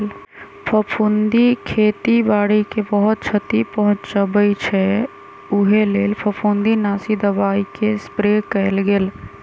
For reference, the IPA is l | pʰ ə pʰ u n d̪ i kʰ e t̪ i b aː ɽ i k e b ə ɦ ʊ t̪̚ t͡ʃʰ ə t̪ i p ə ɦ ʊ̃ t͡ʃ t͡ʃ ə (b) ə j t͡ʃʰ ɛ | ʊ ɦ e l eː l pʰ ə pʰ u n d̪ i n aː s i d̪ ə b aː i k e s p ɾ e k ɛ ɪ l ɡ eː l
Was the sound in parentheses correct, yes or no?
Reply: yes